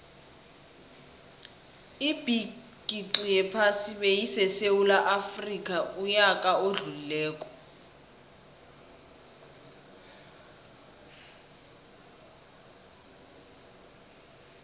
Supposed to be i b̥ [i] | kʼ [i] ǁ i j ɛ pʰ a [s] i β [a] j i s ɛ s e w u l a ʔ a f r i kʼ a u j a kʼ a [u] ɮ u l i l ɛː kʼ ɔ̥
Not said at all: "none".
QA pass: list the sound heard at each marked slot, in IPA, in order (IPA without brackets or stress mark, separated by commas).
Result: i, i, s, e, o